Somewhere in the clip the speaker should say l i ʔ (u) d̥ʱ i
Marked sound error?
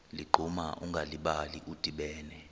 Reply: no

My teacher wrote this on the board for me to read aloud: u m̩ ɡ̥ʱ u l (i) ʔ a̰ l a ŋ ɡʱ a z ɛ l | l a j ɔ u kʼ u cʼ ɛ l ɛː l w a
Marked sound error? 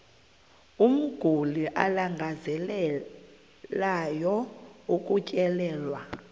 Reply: no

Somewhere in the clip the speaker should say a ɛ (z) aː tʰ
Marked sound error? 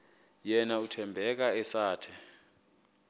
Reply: yes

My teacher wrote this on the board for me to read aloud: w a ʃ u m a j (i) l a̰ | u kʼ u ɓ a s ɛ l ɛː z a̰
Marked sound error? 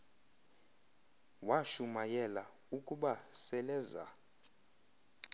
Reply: yes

